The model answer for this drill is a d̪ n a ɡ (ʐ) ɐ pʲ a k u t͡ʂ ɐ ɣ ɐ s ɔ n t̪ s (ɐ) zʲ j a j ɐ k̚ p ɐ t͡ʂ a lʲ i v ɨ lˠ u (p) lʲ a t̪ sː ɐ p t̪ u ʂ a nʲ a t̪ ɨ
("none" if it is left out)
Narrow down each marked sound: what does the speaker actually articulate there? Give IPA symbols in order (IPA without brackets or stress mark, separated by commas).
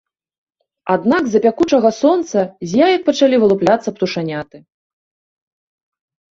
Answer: z, ɐ, p